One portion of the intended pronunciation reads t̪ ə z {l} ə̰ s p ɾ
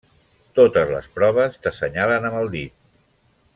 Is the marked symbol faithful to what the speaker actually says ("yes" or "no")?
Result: yes